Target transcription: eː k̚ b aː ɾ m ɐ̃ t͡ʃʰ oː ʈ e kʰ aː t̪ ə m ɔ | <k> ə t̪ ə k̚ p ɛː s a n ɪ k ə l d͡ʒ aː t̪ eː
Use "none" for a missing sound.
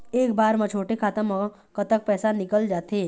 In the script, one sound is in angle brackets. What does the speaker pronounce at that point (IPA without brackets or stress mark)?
k